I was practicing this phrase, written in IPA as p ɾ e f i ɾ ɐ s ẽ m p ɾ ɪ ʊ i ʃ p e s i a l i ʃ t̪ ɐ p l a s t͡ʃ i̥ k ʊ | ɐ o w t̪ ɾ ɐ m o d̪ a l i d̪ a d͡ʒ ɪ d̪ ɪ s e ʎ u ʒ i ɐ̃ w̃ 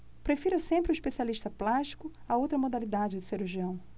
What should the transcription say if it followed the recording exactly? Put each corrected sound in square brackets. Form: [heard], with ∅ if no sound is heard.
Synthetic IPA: p ɾ e f i ɾ ɐ s ẽ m p ɾ ɪ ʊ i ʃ p e s i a l i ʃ t̪ ɐ p l a [ʃ] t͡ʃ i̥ k ʊ | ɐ o w t̪ ɾ ɐ m o d̪ a l i d̪ a d͡ʒ ɪ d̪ ɪ s e [ɾ] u ʒ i ɐ̃ w̃